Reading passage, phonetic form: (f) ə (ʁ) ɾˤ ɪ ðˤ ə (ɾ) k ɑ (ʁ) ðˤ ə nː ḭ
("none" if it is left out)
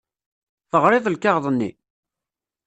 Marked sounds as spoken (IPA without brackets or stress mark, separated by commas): θ, ʁ, l, ʁ